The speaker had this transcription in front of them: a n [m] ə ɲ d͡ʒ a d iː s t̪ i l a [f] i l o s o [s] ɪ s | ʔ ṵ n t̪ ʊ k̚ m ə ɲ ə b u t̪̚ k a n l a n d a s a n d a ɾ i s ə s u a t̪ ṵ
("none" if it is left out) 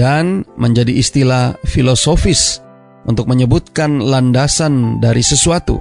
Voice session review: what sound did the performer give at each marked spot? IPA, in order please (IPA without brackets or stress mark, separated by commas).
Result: m, f, f